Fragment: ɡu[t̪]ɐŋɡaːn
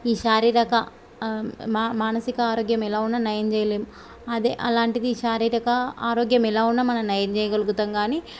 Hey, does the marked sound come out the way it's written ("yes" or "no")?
yes